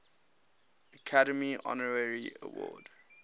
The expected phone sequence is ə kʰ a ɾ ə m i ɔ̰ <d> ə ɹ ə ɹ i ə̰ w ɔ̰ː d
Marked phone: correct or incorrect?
incorrect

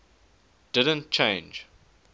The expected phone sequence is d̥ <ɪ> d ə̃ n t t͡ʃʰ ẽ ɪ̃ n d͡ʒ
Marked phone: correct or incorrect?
correct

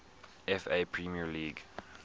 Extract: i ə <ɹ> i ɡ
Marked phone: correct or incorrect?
incorrect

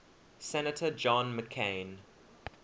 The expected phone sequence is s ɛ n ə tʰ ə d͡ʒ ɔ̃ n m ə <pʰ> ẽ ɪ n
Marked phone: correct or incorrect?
incorrect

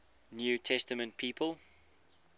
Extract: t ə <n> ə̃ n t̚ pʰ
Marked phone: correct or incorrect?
incorrect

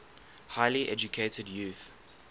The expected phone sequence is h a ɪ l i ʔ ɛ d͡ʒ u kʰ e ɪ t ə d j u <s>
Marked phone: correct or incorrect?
incorrect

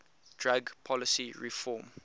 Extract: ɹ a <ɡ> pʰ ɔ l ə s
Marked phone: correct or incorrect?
correct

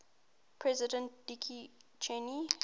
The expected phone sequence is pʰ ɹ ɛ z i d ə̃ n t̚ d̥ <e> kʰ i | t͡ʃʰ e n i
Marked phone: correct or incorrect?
incorrect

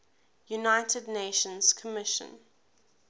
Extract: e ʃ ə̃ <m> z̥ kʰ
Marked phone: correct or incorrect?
incorrect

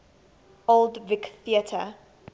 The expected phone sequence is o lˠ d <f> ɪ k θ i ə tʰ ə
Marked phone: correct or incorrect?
incorrect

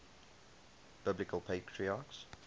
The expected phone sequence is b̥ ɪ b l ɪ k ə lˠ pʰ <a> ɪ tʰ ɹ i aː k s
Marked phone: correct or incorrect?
incorrect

